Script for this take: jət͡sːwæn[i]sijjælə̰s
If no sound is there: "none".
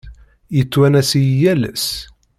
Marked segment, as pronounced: æ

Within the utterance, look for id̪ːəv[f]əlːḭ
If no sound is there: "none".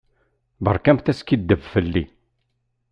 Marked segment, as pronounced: f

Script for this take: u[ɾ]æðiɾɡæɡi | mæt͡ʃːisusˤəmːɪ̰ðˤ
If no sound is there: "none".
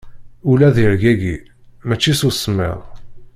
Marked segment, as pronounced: l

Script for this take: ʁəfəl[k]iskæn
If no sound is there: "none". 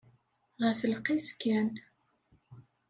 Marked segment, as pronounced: q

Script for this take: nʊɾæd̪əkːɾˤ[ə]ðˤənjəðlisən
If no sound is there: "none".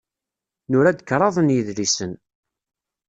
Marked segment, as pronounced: ɑ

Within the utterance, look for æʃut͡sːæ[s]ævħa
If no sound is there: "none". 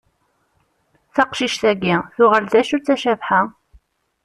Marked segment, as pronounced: ʃ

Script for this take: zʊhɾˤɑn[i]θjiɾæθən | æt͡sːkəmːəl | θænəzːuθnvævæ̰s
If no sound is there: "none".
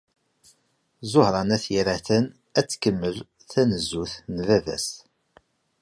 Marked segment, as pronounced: æ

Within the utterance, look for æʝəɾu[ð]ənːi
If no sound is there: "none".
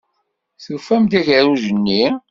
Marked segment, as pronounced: ʒ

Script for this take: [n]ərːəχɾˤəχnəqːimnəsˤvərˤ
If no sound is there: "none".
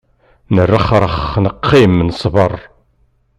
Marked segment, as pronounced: n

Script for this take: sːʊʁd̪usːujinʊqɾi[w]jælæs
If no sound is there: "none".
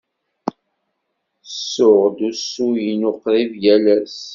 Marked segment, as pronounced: v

